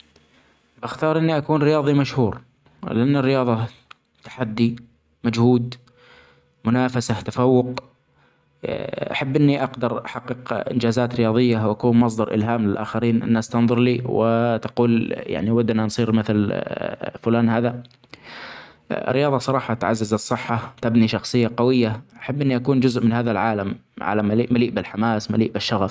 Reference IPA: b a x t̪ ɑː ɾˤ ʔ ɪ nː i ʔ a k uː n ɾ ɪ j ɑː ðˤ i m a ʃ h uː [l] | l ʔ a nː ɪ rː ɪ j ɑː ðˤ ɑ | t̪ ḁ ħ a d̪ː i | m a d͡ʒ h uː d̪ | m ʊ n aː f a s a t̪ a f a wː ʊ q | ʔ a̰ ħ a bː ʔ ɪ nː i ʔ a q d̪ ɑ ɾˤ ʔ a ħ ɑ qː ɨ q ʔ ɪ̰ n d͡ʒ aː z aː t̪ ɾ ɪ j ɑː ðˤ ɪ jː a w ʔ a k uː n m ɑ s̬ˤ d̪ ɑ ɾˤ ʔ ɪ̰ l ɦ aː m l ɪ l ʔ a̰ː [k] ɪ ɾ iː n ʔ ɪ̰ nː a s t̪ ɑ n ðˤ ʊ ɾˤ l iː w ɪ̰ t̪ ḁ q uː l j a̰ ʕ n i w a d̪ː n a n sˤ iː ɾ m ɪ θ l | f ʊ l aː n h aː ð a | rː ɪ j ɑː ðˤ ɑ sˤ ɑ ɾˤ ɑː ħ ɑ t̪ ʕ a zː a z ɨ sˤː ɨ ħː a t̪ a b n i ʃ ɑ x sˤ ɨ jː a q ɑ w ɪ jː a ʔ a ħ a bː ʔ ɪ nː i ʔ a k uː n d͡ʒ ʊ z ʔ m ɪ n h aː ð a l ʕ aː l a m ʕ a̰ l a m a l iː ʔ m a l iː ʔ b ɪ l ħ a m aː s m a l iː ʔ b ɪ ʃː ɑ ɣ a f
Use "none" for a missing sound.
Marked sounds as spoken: ɾ, x

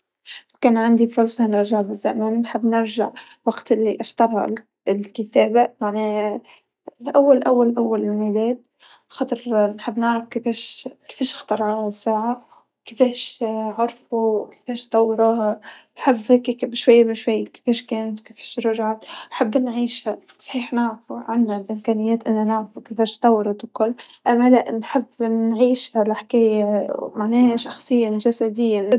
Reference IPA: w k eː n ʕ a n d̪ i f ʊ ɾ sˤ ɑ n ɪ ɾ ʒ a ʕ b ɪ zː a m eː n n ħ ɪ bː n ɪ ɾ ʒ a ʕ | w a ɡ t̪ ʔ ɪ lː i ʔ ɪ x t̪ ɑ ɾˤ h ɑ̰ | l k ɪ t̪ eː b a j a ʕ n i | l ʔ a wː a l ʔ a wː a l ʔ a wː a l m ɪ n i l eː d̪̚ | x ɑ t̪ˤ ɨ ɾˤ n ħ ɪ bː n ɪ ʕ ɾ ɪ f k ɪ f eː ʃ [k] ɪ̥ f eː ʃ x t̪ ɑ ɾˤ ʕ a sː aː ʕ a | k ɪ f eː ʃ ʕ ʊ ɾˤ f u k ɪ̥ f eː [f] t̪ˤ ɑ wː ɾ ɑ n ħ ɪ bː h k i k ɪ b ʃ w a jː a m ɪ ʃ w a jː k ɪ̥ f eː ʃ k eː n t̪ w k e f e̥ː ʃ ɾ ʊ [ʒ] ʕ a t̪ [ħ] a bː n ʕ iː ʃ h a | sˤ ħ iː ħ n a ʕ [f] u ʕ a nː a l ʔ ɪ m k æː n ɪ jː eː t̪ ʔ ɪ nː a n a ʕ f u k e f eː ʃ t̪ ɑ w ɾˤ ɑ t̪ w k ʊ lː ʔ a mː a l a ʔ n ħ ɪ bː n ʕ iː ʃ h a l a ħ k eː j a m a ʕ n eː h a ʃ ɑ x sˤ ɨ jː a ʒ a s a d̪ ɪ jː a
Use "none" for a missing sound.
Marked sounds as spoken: k, ʃ, ʒ, ħ, f

